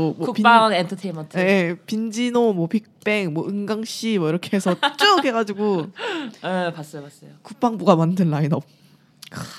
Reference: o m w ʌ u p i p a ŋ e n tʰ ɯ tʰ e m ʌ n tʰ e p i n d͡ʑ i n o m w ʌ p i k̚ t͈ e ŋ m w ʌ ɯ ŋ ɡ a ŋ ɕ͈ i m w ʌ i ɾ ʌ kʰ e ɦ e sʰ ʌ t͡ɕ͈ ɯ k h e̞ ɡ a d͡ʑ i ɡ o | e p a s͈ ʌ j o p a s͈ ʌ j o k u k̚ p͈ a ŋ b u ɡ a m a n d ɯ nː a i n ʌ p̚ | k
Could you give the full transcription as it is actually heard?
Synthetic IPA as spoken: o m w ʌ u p i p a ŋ e n tʰ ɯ tʰ e m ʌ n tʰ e p i n d͡ʑ i n o m w ʌ p i k̚ p͈ e ŋ m w ʌ ɯ ŋ ɡ a ŋ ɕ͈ i m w ʌ i ɾ ʌ kʰ e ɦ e sʰ ʌ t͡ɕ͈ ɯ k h e̞ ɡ a d͡ʑ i ɡ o | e p a s͈ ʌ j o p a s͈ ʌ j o k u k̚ p͈ a ŋ b u ɡ a m a n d ɯ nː a i n ʌ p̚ | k